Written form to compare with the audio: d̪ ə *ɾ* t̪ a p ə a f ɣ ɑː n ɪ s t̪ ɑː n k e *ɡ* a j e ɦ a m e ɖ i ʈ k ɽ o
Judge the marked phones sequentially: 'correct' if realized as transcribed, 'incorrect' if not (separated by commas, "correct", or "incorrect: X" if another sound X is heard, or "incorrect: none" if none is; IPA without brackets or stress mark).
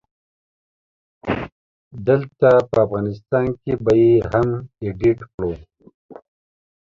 incorrect: l, incorrect: b